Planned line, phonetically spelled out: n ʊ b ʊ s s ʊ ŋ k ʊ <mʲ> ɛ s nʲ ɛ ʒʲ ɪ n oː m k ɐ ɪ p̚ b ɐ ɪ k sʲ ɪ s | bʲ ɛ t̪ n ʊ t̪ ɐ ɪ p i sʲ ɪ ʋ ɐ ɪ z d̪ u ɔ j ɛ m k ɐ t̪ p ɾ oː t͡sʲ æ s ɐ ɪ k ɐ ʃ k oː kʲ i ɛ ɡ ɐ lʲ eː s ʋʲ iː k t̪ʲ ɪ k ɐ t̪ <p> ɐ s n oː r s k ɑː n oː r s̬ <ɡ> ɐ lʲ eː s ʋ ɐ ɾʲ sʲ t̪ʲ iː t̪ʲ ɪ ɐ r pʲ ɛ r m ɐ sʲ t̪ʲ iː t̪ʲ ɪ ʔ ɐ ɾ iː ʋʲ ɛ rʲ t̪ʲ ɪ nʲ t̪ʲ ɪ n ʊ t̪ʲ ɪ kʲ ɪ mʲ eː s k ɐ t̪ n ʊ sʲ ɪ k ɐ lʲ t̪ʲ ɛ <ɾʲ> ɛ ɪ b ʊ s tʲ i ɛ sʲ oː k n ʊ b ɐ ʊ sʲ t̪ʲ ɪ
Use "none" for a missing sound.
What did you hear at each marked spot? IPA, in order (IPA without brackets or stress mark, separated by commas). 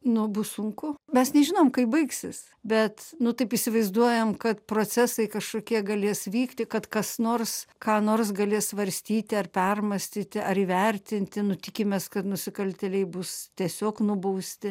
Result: mʲ, k, ɡ, lʲ